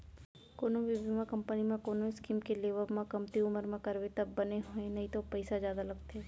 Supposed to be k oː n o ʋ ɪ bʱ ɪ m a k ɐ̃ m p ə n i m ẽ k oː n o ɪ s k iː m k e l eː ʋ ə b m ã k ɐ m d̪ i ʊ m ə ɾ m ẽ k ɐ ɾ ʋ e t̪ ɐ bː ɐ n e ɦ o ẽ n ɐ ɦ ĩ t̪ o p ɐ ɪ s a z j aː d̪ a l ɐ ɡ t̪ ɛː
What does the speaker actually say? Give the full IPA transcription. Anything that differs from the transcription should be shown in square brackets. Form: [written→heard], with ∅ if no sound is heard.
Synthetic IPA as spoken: k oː n o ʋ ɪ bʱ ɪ m a k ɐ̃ m p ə n i m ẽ k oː n o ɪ s k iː m k e l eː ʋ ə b m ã k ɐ m [d̪→t̪] i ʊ m ə ɾ m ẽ k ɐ ɾ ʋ e t̪ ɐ bː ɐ n e ɦ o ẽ n ɐ ɦ ĩ t̪ o p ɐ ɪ s a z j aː d̪ a l ɐ ɡ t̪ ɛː